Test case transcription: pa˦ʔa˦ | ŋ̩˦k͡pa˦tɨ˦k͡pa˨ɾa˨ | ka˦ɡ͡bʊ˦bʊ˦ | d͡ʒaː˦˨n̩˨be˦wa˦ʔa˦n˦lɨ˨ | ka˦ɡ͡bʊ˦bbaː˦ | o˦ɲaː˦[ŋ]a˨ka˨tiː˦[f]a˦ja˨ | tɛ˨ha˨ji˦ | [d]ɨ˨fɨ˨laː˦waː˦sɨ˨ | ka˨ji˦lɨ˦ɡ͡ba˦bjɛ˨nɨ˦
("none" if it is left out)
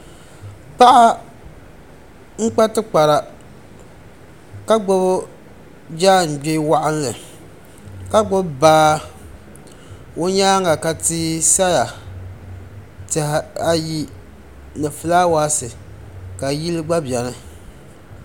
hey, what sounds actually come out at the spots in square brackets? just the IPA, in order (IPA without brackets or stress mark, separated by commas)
ŋ, s, n